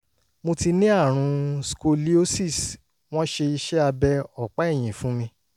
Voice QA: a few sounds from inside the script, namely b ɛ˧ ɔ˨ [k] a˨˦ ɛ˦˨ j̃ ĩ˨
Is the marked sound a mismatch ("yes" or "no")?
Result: yes